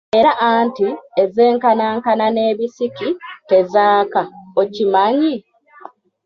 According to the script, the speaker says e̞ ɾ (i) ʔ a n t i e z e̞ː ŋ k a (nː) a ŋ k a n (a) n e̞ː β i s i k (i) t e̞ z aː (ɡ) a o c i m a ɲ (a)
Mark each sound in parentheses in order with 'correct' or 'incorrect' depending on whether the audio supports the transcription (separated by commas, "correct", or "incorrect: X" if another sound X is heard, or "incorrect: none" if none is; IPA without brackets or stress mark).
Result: incorrect: a, incorrect: n, correct, correct, incorrect: k, incorrect: i